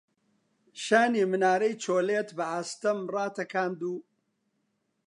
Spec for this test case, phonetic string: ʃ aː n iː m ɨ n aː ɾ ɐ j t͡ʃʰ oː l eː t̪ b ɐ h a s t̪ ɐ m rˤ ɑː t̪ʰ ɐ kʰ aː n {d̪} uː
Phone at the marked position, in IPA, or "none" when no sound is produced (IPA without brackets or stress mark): d̪